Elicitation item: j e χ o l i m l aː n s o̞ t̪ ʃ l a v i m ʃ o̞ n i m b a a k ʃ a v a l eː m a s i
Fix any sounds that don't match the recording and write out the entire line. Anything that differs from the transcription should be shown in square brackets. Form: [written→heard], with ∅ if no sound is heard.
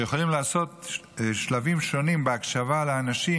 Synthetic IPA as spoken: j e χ o l i m l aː [n→∅] s o̞ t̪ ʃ l a v i m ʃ o̞ n i m b [a→e] a k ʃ a v a l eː [m→n] a [s→ʃ] i